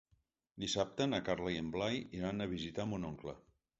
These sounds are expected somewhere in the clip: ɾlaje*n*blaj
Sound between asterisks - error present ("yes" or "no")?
yes